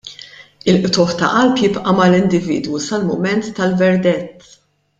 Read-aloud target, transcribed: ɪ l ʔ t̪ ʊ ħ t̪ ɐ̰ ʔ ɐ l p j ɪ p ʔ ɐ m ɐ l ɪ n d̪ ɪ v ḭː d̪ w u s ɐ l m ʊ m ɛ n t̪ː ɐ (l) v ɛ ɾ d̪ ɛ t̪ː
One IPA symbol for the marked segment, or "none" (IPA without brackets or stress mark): l